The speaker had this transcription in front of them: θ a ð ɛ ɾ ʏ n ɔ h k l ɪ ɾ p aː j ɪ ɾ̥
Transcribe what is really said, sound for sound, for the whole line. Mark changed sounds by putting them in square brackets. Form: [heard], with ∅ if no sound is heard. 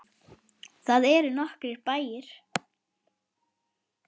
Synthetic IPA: θ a ð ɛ ɾ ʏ n ɔ h k [ɾ] ɪ ɾ p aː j ɪ ɾ̥